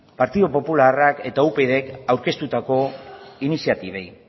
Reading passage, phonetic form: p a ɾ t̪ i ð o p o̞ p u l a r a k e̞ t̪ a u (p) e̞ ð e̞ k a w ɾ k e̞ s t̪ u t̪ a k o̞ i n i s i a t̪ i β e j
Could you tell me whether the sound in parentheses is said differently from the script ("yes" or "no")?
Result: no